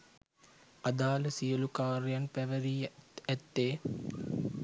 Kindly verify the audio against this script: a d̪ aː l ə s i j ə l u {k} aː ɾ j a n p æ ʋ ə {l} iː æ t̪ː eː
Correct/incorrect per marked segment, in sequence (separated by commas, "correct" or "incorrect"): correct, incorrect